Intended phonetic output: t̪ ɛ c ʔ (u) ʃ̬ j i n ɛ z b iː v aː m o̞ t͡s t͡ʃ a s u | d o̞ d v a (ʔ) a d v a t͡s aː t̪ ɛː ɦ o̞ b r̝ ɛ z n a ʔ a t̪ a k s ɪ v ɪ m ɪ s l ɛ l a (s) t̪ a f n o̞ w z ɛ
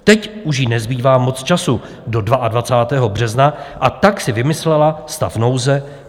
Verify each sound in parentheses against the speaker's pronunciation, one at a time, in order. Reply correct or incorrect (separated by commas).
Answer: correct, correct, correct